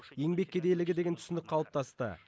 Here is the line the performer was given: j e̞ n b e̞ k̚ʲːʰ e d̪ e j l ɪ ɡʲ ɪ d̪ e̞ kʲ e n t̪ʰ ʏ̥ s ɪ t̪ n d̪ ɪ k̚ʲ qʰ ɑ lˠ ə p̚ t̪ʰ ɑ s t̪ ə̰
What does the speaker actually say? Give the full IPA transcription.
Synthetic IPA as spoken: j e̞ ŋ b e̞ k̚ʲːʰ e d̪ e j l ɪ ɡʲ ɪ d̪ e̞ ɡʲ e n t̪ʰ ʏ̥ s ɪ n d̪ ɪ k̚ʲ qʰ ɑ lˠ ə p̚ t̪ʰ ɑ s t̪ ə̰

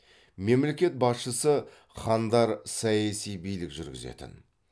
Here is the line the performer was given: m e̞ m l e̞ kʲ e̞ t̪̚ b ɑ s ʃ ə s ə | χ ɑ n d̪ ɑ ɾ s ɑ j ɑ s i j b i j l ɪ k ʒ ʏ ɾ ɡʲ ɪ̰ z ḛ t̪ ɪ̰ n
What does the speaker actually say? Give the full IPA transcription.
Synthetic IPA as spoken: m e̞ m l e̞ kʲ e̞ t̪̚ b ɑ s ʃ ə s ə | χ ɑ n d̪ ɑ ɾ s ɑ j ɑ s i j b i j l ɪ k ʒ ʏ ɾ ɡʲ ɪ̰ z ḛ t̪ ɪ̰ n

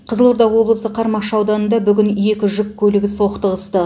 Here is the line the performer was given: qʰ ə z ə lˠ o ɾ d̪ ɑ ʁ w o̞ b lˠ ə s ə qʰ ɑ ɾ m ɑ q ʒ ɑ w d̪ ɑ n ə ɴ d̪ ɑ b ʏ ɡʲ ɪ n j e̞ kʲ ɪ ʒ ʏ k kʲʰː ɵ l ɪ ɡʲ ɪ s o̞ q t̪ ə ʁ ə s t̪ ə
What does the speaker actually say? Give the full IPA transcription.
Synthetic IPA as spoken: qʰ ə z ə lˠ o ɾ d̪ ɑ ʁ w o̞ b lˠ ə s ə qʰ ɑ ɾ m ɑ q ʃ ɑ w d̪ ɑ n ə n d̪ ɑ b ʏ ɡʲ ɪ n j e̞ kʲ ɪ ʒ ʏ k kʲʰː ɵ l ɪ ɡʲ ɪ s o̞ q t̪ ə ʁ ə s t̪ ə

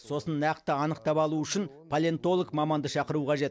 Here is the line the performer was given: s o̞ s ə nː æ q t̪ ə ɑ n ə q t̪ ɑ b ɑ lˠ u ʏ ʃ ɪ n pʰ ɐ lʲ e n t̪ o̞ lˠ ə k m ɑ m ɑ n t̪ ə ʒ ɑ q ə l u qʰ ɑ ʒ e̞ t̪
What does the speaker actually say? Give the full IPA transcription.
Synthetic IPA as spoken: s o̞ s ə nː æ q t̪ ə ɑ n ə q t̪ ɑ p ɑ lˠ u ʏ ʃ ɪ n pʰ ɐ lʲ e n t̪ o̞ lˠ ə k m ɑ m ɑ n d̪ ə ʃ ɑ q ə ɾ u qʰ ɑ ʒ e̞ t̪

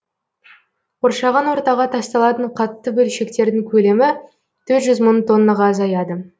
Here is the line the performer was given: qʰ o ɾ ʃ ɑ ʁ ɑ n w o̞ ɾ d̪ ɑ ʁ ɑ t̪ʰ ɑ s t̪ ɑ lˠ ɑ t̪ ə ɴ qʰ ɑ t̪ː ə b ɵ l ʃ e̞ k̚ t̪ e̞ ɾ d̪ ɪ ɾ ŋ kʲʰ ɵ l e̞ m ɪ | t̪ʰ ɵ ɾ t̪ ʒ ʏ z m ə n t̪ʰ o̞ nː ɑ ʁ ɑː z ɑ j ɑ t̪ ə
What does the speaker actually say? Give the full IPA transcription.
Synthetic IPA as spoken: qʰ o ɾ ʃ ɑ ʁ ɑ n w o̞ ɾ t̪ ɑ ʁ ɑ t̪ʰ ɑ s t̪ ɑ lˠ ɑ t̪ ə ɴ qʰ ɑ t̪ː ə b ɵ l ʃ e̞ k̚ t̪ e̞ ɾ d̪ ɪ ŋ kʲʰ ɵ l e̞ m ɪ | t̪ʰ ɵ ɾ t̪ ʒ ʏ z m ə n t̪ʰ o̞ nː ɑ ʁ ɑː z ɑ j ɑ d̪ ə

